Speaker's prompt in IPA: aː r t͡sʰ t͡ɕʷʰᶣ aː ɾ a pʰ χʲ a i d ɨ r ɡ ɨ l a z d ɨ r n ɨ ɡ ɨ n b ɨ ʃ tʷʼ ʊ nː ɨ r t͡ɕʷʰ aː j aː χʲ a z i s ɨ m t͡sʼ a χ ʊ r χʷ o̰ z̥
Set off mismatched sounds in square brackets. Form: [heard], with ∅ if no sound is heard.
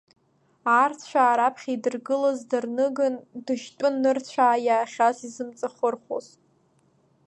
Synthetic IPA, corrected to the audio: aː r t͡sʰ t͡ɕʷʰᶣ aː ɾ a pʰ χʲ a i d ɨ r ɡ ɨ l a z d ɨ r n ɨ ɡ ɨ n [d] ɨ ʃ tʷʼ ʊ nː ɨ r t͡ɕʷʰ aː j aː χʲ a z i [z] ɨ m t͡sʼ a χ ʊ r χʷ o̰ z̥